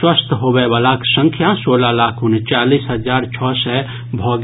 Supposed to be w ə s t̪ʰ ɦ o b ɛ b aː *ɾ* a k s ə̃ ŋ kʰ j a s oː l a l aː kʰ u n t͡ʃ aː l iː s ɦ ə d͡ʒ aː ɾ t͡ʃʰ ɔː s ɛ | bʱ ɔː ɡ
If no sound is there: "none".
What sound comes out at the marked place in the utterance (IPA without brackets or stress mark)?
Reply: l